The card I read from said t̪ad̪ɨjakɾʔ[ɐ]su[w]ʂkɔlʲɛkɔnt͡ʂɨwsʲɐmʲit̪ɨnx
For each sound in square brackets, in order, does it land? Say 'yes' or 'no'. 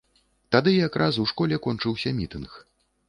no, yes

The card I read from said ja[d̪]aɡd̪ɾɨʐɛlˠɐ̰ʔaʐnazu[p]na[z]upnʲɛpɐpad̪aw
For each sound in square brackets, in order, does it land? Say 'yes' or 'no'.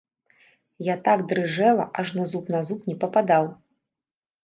no, yes, yes

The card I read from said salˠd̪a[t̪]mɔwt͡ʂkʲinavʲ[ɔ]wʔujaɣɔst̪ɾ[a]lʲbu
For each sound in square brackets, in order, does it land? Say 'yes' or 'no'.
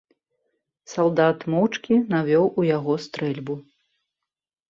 yes, yes, no

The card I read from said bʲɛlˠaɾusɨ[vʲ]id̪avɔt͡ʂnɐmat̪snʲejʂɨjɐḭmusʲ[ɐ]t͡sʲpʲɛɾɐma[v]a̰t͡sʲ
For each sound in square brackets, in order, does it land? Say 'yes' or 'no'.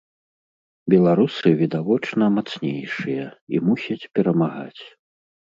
yes, yes, no

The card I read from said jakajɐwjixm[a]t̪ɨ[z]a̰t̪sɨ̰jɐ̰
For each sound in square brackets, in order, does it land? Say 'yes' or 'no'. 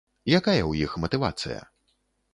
no, no

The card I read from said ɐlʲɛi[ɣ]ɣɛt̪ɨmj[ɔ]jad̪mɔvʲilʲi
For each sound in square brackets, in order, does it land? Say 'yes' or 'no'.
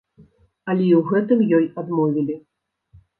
no, yes

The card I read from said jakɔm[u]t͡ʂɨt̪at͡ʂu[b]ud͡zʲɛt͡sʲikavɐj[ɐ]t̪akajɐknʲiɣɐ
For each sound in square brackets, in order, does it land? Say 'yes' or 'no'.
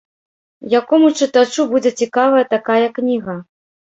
yes, yes, yes

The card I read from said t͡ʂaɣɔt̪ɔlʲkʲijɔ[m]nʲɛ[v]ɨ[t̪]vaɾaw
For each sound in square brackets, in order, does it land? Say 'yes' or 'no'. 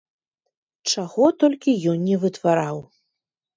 no, yes, yes

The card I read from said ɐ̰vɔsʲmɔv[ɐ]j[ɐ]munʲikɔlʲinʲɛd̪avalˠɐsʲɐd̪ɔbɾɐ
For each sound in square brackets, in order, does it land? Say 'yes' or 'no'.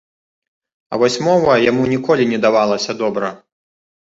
yes, no

